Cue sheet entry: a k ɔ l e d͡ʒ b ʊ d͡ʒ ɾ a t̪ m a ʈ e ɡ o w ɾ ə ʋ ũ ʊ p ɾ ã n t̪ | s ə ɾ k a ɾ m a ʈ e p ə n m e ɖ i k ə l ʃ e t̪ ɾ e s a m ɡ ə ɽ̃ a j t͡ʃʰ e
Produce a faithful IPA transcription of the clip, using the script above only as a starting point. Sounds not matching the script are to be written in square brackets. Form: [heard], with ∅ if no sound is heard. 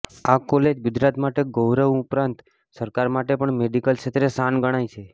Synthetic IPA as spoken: a k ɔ l e d͡ʒ [ɡ] ʊ d͡ʒ ɾ a t̪ m a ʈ e ɡ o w ɾ ə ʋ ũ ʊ p ɾ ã n t̪ | s ə ɾ k a ɾ m a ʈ e p ə [ɳ] m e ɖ i k ə l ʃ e t̪ ɾ e s a [n] ɡ ə ɽ̃ a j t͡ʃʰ e